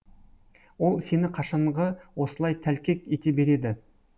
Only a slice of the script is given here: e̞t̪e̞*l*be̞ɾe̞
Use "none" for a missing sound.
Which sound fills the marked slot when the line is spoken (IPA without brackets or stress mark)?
none